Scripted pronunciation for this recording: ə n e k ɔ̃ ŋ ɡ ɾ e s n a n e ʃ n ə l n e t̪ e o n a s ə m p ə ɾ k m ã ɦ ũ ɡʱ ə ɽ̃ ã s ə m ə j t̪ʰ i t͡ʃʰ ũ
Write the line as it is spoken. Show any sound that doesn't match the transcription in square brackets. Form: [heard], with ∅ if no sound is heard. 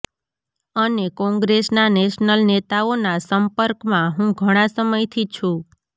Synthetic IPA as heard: ə n e k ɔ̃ ŋ ɡ ɾ e s n a n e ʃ n ə l n e t̪ [a] o n a s ə m p ə ɾ k m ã ɦ ũ ɡʱ ə ɽ̃ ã s ə m ə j t̪ʰ i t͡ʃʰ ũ